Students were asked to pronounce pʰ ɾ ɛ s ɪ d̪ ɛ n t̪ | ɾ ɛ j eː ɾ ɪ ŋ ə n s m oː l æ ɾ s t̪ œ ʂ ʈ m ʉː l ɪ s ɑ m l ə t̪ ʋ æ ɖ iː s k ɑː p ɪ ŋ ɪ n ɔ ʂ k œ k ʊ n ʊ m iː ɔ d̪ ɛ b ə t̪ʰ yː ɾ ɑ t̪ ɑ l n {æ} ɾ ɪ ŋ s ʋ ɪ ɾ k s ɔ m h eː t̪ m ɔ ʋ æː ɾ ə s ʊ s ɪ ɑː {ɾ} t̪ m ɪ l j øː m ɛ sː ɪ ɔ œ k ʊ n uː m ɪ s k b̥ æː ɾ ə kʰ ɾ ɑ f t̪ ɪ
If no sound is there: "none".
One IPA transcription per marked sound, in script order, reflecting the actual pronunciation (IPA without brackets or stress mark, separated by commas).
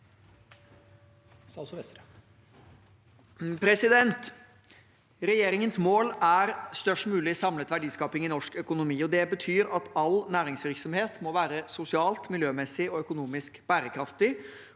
æː, l